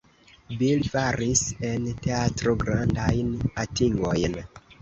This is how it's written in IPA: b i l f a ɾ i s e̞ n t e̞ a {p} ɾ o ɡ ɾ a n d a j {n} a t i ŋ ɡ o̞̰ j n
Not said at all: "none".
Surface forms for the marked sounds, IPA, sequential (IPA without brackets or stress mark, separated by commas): t, n